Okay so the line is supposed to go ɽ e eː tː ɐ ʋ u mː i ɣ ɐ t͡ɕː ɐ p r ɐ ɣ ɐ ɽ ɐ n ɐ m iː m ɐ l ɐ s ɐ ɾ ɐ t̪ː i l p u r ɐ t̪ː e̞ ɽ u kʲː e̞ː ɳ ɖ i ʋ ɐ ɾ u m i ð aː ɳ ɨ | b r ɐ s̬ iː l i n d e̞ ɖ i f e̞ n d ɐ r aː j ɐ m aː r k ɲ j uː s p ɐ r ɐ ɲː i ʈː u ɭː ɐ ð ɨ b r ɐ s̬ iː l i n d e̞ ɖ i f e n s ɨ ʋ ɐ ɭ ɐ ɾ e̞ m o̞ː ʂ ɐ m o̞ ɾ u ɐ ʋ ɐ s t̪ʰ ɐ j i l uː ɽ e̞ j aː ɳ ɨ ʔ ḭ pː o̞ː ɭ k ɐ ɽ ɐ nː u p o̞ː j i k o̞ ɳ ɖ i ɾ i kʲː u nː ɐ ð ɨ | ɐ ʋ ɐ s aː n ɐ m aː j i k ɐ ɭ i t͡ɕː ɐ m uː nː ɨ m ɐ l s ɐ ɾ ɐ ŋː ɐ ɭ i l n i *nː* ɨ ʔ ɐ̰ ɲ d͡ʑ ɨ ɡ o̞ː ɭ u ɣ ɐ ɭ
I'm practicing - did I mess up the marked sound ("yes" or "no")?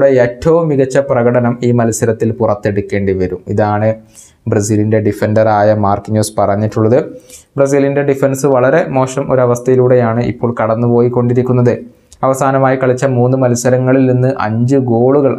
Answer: no